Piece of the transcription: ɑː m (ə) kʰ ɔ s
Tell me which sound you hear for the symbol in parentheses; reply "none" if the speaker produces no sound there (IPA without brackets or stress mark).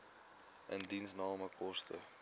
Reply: ə